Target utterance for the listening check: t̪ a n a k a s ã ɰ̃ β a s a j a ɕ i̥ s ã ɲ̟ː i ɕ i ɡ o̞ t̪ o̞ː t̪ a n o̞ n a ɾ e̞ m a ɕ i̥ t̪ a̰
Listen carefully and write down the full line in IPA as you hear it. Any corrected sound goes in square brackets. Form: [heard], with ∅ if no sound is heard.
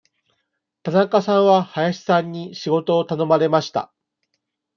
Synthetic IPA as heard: t̪ a n a k a s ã ɰ̃ β a [h] a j a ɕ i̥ s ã ɲ̟ː i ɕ i ɡ o̞ t̪ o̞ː t̪ a n o̞ [m] a ɾ e̞ m a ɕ i̥ t̪ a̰